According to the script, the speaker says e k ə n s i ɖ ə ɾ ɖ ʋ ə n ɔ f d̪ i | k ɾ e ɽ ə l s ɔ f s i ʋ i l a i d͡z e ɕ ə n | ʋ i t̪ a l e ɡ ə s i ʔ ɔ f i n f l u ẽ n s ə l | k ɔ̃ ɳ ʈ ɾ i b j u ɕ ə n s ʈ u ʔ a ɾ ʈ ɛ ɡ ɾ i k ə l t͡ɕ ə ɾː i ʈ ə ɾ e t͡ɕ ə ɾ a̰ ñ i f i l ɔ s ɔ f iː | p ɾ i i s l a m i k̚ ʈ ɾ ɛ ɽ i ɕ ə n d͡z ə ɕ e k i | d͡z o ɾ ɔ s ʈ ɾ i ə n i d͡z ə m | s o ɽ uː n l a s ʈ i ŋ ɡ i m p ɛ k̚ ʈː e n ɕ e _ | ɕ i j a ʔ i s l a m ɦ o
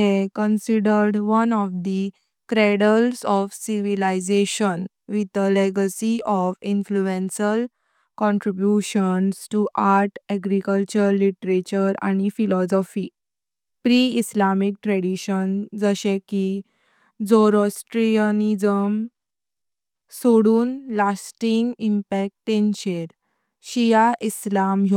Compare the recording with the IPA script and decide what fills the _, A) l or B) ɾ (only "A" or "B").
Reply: B